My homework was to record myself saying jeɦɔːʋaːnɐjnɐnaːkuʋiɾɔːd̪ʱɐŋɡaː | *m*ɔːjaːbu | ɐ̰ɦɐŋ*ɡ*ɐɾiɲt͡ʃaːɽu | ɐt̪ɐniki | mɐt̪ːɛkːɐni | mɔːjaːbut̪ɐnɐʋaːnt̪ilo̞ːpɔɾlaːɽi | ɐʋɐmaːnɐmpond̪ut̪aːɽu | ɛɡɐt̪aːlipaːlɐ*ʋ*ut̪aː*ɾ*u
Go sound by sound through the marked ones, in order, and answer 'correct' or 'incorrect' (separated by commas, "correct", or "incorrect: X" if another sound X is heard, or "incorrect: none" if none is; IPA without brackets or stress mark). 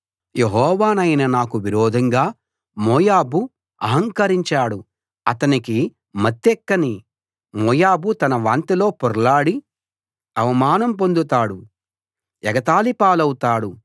correct, incorrect: k, incorrect: w, incorrect: ɽ